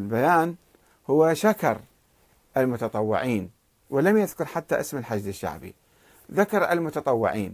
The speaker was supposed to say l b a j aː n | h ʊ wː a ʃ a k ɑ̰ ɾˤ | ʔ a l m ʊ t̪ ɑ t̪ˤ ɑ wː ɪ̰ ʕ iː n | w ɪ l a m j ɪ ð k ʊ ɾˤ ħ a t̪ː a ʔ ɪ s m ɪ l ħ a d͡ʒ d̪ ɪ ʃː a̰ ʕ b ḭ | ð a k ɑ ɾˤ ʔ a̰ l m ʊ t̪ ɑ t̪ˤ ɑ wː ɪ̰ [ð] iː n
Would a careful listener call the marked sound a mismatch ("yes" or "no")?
yes